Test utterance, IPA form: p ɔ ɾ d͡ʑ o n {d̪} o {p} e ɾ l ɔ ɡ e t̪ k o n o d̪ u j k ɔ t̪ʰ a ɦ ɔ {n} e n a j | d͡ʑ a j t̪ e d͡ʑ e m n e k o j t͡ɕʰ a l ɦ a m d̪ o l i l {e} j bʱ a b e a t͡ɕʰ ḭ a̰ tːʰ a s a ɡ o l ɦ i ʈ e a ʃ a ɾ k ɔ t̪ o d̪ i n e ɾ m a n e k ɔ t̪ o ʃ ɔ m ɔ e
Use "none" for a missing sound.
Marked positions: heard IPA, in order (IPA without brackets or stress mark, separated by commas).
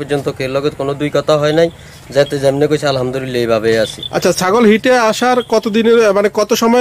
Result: t̪, k, none, e